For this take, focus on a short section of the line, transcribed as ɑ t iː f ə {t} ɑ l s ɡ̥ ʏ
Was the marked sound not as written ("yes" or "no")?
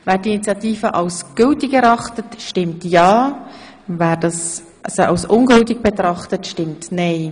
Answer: yes